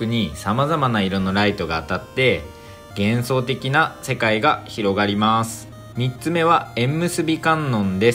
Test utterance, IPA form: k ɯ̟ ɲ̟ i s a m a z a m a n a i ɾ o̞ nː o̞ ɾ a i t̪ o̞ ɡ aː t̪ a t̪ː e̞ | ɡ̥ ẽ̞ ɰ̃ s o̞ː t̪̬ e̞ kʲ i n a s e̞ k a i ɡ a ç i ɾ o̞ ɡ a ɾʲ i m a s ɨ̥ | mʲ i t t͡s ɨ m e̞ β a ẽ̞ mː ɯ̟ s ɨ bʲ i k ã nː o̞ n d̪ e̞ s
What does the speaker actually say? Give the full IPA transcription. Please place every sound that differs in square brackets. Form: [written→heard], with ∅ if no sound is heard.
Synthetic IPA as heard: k ɯ̟ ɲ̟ i s a m a z a m a n a i ɾ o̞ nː o̞ ɾ a i t̪ o̞ ɡ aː t̪ a t̪ː e̞ | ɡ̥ ẽ̞ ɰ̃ s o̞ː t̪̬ e̞ kʲ i n a s e̞ k a i ɡ a ç i ɾ o̞ ɡ a ɾʲ i m a s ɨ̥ | mʲ i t t͡s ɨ m e̞ β a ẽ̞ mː ɯ̟ s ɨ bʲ i k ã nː [o̞→õ̞] n d̪ e̞ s